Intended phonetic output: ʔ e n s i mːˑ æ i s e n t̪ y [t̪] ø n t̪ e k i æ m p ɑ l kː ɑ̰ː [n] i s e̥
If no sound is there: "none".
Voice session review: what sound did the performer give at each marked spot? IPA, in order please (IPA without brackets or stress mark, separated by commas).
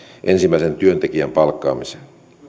none, m